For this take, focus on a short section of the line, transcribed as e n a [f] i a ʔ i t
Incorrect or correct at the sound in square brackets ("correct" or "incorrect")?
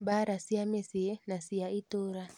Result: incorrect